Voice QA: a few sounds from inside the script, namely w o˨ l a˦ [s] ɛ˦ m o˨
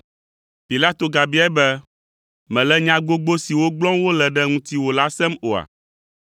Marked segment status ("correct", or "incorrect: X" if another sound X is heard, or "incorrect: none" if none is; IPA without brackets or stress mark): correct